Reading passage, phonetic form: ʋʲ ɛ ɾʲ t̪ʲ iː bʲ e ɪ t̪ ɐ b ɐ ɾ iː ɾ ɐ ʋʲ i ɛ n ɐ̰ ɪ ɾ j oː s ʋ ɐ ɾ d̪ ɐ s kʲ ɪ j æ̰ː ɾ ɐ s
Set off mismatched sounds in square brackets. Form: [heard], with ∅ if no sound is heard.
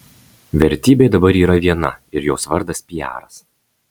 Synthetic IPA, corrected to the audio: ʋʲ ɛ ɾʲ t̪ʲ iː bʲ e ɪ [d̪] ɐ b ɐ ɾ iː ɾ ɐ ʋʲ i ɛ n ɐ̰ ɪ ɾ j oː s ʋ ɐ ɾ d̪ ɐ s [pʲ] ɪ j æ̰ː ɾ ɐ s